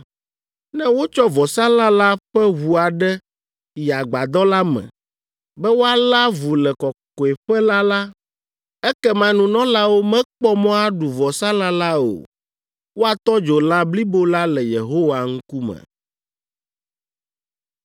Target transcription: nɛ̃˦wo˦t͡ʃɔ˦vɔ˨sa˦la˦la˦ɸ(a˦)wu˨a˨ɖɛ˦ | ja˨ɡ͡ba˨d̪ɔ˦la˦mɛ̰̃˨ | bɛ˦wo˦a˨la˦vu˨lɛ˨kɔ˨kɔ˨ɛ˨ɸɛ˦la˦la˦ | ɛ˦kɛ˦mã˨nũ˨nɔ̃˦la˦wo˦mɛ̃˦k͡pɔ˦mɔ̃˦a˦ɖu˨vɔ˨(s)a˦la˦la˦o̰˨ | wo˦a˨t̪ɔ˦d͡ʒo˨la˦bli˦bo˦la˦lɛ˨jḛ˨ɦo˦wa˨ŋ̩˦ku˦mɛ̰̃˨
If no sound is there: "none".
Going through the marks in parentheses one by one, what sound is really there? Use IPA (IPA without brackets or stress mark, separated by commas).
ɛ˦, s